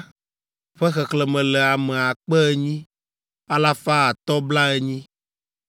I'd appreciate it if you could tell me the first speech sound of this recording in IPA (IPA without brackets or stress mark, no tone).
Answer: ɸ